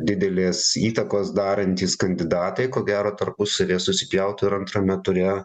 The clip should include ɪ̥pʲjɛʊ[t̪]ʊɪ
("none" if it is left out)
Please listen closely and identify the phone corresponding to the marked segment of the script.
t̪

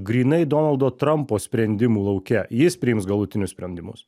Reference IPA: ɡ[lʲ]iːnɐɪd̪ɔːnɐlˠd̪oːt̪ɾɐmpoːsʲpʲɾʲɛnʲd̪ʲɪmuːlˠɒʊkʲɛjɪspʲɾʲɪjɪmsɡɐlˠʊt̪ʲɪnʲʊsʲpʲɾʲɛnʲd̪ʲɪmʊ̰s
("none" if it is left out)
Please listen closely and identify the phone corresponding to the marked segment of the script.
ɾʲ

